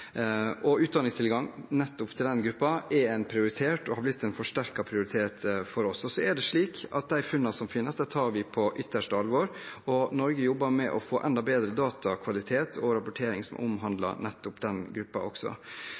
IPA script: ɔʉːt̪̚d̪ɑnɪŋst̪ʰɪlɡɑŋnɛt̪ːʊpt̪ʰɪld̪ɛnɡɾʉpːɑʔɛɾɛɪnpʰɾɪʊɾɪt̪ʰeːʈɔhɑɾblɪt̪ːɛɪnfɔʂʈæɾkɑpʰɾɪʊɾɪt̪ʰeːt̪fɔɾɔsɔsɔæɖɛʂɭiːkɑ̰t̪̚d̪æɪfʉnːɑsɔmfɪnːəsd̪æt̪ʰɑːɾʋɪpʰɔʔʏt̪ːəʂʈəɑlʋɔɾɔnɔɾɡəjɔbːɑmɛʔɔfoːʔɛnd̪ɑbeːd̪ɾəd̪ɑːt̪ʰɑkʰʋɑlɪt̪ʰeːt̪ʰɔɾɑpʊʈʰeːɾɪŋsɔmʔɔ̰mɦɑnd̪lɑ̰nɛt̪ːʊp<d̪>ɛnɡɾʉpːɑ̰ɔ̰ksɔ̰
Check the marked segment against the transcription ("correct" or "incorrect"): correct